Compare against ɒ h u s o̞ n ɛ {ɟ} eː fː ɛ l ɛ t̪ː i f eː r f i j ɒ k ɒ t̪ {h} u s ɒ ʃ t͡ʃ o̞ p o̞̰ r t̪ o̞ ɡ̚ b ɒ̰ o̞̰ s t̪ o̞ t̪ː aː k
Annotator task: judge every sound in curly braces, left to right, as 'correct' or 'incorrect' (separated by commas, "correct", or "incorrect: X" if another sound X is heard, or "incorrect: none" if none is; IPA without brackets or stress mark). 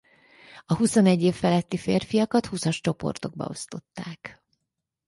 incorrect: ɟː, correct